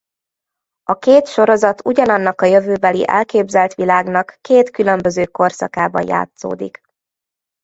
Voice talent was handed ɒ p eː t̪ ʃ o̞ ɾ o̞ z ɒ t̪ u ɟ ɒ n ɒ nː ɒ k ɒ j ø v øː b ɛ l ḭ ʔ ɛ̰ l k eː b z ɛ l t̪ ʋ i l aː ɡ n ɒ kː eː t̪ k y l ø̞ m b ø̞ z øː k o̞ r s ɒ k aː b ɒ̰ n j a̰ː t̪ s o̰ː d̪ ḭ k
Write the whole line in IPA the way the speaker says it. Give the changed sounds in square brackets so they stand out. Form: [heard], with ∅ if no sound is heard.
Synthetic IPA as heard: ɒ [k] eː t̪ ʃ o̞ ɾ o̞ z ɒ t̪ u ɟ ɒ n ɒ nː ɒ k ɒ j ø v øː b ɛ l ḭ ʔ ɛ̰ l k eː b z ɛ l t̪ ʋ i l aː ɡ n ɒ kː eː t̪ k y l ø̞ m b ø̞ z øː k o̞ r s ɒ k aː b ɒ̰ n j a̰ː t̪ s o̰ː d̪ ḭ k